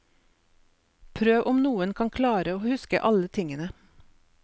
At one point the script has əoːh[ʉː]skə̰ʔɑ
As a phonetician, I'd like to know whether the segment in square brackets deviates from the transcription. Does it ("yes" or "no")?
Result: yes